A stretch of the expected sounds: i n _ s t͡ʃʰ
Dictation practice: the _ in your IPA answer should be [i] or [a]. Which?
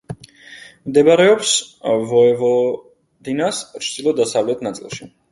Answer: a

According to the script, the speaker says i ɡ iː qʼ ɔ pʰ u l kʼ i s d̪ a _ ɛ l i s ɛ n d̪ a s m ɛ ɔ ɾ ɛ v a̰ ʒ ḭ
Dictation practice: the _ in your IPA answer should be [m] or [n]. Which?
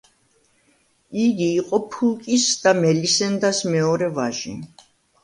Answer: m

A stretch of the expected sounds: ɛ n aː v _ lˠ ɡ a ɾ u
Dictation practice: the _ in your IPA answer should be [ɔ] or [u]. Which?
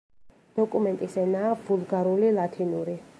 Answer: u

